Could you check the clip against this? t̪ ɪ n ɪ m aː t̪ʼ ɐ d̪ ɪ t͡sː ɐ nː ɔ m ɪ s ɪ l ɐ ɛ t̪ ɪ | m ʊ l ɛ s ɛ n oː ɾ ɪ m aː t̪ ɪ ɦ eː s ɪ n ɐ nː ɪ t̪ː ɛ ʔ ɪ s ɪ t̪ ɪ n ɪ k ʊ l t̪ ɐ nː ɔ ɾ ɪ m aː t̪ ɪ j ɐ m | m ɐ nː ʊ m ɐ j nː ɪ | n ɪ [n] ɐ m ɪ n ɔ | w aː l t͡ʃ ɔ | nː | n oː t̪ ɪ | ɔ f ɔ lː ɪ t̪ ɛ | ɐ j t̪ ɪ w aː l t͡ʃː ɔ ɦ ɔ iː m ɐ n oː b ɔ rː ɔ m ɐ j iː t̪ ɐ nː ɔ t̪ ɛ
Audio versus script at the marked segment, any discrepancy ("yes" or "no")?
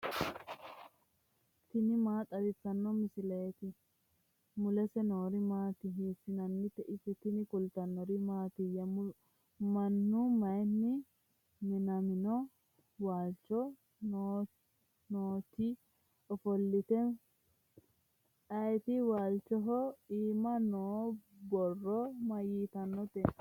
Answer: no